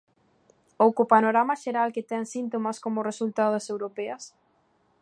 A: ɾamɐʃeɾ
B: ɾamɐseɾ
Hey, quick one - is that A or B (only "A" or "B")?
A